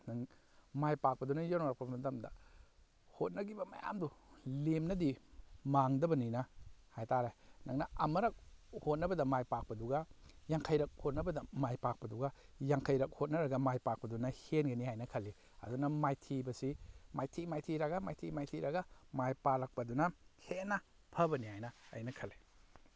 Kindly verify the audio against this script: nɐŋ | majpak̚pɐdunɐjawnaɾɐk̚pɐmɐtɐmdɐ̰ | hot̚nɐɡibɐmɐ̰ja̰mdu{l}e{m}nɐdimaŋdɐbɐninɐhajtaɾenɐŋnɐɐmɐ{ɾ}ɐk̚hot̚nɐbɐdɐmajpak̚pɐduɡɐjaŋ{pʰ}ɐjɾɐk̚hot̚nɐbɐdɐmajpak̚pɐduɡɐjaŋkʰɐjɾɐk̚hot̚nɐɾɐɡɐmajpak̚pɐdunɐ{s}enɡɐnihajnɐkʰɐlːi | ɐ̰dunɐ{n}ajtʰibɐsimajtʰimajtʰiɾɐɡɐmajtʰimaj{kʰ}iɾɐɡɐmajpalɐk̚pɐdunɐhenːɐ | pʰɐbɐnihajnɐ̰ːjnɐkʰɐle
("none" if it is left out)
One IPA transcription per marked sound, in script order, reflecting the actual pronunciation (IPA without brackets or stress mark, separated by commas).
l, m, ɾ, kʰ, h, m, tʰ